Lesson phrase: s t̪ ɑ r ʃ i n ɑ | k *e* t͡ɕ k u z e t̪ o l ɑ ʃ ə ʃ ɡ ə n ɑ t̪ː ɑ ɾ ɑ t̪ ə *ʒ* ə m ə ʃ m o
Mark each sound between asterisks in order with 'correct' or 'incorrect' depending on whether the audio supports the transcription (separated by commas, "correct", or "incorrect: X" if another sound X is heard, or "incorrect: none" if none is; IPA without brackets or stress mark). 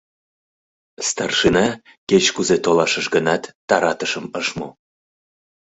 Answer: correct, incorrect: ʃ